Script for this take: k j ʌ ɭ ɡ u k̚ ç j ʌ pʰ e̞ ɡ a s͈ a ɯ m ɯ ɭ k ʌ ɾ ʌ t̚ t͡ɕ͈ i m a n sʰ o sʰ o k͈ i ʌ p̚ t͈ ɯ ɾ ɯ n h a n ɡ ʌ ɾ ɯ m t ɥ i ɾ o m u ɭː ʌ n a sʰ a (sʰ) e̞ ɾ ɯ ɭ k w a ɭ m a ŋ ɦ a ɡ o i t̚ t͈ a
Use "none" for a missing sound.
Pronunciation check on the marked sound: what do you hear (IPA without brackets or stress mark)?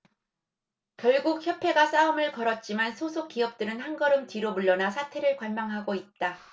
tʰ